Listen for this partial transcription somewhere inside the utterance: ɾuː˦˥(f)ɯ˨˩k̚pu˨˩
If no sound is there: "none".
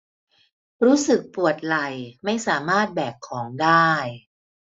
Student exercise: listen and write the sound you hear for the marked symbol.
s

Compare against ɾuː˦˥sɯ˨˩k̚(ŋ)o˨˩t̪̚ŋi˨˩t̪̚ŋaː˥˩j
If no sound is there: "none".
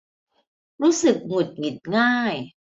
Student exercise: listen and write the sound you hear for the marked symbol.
ŋ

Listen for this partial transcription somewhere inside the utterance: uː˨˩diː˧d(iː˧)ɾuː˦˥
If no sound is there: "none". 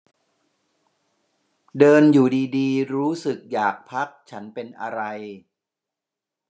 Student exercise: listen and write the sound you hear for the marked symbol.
iː˧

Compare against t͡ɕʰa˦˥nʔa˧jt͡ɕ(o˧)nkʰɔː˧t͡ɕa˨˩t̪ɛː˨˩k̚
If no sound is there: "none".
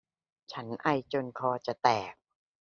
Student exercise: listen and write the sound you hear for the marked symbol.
o˧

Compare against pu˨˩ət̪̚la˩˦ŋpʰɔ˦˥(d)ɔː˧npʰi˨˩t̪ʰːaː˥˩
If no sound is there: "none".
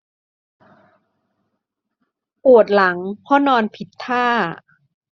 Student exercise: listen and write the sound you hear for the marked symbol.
n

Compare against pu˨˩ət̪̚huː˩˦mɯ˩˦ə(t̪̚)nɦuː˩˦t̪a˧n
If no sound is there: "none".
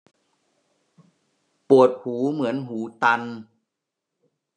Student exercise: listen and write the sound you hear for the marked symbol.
none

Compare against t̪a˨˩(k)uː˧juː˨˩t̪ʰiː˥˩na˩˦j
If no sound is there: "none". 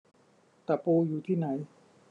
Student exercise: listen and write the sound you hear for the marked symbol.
p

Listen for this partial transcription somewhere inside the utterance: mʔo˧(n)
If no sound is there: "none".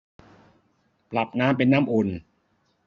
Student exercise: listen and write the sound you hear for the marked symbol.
n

